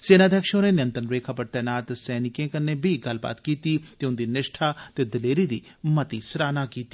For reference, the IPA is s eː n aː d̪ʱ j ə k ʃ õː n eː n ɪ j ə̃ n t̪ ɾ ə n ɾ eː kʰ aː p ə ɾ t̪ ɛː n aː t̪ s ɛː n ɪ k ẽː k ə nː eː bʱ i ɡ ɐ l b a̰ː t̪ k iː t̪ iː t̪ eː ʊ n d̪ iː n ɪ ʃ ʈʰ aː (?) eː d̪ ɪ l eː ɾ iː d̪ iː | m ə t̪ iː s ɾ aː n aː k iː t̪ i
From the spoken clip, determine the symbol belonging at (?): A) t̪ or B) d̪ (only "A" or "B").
A